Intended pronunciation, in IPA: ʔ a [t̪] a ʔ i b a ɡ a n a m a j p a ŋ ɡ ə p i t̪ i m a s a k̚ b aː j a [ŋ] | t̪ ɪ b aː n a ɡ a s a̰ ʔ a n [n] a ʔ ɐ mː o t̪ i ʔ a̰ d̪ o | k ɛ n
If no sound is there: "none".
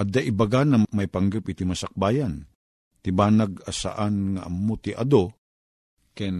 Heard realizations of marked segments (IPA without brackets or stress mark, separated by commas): d̪, n, ŋ